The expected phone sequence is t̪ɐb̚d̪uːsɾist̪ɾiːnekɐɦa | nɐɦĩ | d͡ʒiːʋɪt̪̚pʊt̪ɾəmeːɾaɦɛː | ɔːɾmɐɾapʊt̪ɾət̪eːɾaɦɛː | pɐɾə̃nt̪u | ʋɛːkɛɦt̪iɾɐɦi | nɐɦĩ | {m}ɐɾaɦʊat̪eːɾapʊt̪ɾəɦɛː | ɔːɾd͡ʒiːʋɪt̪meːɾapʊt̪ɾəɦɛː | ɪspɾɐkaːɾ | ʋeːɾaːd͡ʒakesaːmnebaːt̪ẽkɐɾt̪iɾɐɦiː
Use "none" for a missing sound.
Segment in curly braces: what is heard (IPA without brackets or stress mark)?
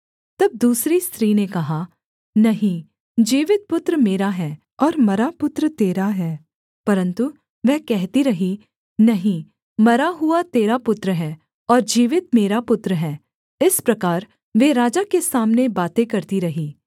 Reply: m